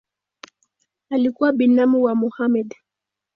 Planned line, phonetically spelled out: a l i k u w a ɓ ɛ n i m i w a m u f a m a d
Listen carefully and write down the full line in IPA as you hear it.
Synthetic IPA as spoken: a l i k u w a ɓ i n a m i w a m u h a m ɛ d